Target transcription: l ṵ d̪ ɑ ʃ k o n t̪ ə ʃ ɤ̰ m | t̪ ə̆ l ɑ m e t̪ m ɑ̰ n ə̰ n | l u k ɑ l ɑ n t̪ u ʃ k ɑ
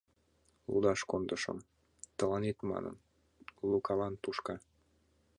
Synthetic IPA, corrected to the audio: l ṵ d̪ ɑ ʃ k o n d̪ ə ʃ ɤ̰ m | t̪ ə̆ l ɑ n e t̪ m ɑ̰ n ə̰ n | l u k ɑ l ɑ n t̪ u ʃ k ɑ